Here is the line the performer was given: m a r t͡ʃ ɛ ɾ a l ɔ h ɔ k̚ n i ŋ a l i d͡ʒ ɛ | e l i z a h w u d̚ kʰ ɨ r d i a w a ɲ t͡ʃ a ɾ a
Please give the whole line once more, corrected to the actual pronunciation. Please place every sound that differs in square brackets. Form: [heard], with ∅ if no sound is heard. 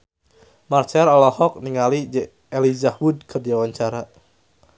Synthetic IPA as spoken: m a r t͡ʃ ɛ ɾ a l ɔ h ɔ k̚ n i ŋ a l i d͡ʒ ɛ | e l i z a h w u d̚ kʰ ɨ r d i a w a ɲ t͡ʃ a ɾ a